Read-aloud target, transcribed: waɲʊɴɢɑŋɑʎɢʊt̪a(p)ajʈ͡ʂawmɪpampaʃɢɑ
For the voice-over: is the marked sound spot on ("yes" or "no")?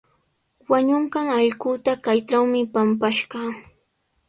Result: no